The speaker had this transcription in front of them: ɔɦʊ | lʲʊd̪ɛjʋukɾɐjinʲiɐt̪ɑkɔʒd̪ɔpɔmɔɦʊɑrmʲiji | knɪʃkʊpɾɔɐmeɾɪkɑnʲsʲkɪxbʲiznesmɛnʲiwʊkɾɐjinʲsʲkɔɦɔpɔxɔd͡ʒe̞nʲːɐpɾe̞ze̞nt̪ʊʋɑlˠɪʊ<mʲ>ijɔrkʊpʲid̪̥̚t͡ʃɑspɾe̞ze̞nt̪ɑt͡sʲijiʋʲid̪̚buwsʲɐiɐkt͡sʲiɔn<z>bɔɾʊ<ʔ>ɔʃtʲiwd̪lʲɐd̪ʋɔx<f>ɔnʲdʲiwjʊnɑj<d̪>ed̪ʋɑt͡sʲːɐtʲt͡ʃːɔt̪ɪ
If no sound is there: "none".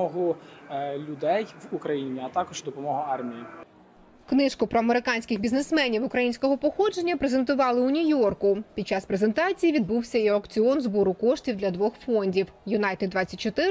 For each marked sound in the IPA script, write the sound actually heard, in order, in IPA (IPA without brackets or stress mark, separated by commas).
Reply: nʲ, z, k, f, t̪